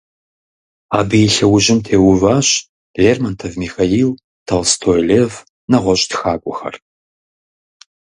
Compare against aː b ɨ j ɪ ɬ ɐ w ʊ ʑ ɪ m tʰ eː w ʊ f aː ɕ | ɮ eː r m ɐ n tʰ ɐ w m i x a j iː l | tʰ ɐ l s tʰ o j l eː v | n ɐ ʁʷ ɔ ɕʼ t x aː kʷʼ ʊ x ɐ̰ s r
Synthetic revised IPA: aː b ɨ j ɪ ɬ ɐ w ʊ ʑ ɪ m tʰ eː w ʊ v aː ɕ | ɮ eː r m ɐ n tʰ ɐ v m i x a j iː l | tʰ ɐ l s tʰ o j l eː v | n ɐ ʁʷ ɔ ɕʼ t x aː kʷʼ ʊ x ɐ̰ r